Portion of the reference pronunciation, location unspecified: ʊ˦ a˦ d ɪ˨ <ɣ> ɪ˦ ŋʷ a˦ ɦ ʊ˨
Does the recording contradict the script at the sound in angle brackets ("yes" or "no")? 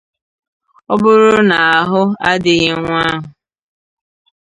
no